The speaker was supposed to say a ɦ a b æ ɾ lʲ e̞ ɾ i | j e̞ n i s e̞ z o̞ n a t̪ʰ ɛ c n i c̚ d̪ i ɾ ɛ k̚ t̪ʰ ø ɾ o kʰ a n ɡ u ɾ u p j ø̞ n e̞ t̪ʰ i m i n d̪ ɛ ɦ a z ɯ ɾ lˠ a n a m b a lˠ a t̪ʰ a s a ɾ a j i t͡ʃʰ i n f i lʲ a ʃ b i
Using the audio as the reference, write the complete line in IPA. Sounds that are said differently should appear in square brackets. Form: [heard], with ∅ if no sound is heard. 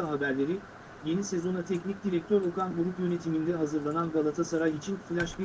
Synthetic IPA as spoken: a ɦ a b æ ɾ lʲ e̞ ɾ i | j e̞ n i s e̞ z o̞ n a t̪ʰ ɛ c n i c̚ d̪ i ɾ ɛ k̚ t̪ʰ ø ɾ o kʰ a n ɡ u ɾ u p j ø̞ n e̞ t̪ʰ i m i n d̪ ɛ ɦ a z ɯ ɾ lˠ a n a [n] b a lˠ a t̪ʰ a s a ɾ a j i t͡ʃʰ i n f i lʲ a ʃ b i

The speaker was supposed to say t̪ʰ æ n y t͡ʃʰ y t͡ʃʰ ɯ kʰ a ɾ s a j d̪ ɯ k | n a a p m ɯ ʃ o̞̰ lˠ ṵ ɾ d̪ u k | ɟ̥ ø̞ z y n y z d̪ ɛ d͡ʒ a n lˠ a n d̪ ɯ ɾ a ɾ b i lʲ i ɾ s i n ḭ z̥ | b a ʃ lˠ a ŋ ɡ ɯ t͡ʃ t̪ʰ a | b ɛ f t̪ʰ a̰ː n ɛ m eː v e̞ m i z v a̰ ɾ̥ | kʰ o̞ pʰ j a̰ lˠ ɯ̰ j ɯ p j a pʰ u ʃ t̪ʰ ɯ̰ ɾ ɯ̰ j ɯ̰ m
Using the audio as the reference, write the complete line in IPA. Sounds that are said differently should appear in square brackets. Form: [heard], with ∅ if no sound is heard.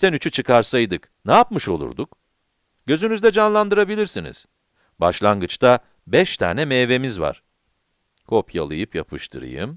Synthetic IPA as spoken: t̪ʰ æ n y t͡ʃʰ y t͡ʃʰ ɯ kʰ a ɾ s a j d̪ ɯ k | n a a p m ɯ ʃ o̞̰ lˠ ṵ ɾ d̪ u k | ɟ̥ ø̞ z y n y z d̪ ɛ d͡ʒ a n lˠ a n d̪ ɯ ɾ a [∅] b i lʲ i ɾ s i n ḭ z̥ | b a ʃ lˠ a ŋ ɡ ɯ t͡ʃ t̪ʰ a | b ɛ [ʃ] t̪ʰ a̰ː n ɛ m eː v e̞ m i z v a̰ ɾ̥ | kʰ o̞ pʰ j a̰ lˠ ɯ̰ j ɯ p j a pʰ [ɯ] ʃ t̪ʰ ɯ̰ ɾ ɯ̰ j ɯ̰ m

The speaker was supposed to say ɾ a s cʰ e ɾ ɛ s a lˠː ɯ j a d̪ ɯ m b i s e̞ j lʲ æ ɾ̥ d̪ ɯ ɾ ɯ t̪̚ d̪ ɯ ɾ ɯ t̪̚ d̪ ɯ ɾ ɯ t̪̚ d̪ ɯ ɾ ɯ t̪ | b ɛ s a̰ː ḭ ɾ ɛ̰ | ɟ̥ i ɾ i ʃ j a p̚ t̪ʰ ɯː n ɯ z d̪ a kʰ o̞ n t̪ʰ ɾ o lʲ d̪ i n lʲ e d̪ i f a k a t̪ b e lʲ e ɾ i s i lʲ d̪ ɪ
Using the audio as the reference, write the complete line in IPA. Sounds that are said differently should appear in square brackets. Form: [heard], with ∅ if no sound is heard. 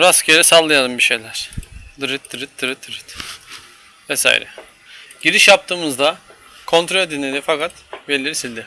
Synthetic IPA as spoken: ɾ a s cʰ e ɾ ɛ s a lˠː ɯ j a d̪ ɯ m b i [ʃ] e̞ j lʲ æ ɾ̥ d̪ ɯ ɾ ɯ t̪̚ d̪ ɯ ɾ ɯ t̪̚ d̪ ɯ ɾ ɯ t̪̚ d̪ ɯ ɾ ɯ t̪ | [v] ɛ s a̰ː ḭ ɾ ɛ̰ | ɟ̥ i ɾ i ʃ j a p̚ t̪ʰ ɯː [m] ɯ z d̪ a kʰ o̞ n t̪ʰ ɾ o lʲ d̪ i n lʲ e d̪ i f a k a t̪ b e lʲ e ɾ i s i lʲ d̪ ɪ

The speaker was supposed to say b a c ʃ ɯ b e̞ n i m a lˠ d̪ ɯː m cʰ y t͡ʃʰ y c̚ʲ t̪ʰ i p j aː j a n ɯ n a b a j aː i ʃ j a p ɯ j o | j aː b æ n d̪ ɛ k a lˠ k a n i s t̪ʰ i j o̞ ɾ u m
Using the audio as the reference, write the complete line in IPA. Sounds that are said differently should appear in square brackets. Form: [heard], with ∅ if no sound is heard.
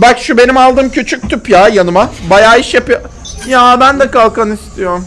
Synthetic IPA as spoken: b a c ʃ [u] b e̞ n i m a lˠ d̪ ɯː m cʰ y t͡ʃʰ y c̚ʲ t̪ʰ [y] p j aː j a n ɯ [m] a b a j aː i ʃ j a p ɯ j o | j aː b æ n d̪ ɛ k a lˠ k a n i s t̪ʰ i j o̞ ɾ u m

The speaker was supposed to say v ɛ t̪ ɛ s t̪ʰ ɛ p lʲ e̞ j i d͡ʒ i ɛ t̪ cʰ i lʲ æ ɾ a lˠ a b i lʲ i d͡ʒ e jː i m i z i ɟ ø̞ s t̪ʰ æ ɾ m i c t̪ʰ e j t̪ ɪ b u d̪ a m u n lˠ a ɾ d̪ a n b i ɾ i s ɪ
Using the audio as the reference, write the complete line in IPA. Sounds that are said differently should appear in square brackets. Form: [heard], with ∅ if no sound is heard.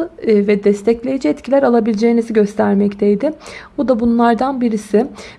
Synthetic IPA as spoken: v ɛ [d̪] ɛ s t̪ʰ ɛ [c] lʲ e̞ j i d͡ʒ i ɛ t̪ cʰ i lʲ æ ɾ a lˠ a b i lʲ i d͡ʒ e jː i [n] i z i ɟ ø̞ s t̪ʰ æ ɾ m [ɛ] c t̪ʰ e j [d̪] ɪ b u d̪ a [b] u n lˠ a ɾ d̪ a n b i ɾ i s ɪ

